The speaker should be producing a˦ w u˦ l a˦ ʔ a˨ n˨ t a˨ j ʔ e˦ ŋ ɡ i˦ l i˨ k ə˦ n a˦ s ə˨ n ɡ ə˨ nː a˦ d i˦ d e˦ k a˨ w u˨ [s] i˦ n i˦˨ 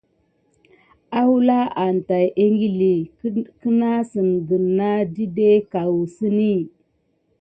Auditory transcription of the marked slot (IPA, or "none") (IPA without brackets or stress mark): s